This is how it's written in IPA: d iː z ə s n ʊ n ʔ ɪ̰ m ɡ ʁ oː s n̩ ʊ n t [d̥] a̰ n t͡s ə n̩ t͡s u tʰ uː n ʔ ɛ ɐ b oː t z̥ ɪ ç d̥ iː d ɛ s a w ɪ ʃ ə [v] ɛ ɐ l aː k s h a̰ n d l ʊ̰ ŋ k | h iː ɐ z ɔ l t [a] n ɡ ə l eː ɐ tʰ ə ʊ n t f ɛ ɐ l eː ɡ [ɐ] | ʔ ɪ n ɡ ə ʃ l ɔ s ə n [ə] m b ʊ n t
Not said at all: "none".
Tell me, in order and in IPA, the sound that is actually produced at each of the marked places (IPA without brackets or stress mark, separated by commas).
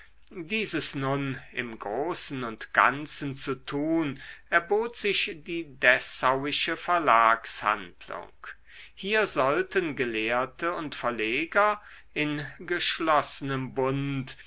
ɡ̥, f, ə, ɐ, ə